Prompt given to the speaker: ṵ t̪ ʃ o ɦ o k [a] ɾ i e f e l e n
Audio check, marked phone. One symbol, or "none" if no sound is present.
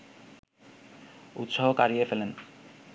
a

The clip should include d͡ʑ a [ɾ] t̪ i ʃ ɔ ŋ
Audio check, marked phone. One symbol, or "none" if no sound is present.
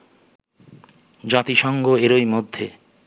none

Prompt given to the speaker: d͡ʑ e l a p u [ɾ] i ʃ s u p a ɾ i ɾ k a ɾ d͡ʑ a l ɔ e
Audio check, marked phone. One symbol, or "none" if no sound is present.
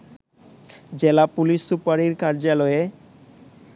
l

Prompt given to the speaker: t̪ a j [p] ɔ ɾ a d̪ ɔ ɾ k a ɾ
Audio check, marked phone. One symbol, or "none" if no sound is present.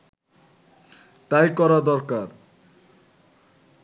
k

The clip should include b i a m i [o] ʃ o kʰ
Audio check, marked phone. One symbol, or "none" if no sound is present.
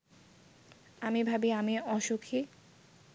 ɔ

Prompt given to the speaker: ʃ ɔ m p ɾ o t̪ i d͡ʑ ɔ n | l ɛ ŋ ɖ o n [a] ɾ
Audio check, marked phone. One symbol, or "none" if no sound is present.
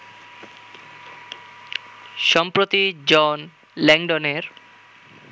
e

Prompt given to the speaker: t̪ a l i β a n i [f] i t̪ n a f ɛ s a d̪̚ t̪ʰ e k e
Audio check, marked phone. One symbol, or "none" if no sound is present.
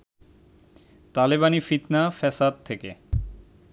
f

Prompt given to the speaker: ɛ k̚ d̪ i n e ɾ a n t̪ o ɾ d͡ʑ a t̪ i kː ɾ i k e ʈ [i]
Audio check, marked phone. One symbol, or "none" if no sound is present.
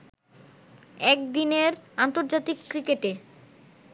e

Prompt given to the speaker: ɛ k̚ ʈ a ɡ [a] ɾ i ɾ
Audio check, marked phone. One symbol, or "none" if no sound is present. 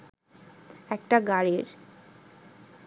a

